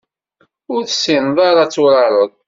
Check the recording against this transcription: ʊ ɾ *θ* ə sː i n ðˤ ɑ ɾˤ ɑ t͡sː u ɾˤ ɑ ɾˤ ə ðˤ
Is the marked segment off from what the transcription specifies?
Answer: no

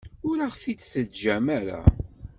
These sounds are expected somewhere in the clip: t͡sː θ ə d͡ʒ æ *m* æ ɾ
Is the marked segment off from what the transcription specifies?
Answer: no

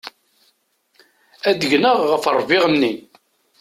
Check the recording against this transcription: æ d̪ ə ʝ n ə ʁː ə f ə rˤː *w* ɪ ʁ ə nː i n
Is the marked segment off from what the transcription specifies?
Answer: yes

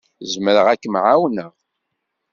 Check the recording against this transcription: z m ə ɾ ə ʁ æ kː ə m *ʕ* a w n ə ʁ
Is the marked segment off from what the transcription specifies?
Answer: no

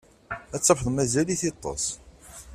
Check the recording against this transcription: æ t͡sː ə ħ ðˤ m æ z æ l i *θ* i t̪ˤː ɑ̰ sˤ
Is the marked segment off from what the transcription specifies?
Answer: no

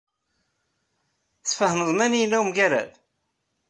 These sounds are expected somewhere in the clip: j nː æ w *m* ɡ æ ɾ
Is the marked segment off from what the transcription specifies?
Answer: no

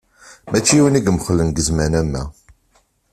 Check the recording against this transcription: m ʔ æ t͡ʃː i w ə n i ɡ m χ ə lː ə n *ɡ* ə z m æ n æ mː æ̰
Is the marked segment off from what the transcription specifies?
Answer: no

